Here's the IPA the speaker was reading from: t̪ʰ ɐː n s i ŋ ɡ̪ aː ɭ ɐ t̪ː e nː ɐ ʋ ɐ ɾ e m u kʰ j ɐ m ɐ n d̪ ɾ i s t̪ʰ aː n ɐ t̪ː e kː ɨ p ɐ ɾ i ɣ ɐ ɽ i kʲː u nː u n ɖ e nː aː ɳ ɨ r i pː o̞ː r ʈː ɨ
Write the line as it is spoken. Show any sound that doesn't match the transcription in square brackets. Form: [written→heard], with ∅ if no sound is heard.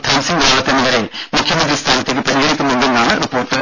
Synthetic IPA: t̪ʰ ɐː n s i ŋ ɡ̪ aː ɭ ɐ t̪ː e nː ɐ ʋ ɐ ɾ e m u kʰ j ɐ m ɐ n d̪ ɾ i s t̪ʰ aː n ɐ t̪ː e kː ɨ p ɐ ɾ i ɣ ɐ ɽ i kʲː u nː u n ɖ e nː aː ɳ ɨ r i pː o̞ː r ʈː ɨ